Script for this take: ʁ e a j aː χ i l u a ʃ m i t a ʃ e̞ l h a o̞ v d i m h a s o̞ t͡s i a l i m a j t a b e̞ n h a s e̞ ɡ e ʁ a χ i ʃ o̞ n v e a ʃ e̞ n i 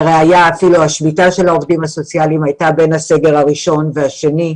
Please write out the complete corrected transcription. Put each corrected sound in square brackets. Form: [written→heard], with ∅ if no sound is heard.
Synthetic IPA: ʁ e a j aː [χ→f] i l u a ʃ m i t a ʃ e̞ l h a o̞ v d i m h a s o̞ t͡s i a l i m a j t a b e̞ n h a s e̞ ɡ e ʁ a [χ→ʁ] i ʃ o̞ n v e a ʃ e̞ n i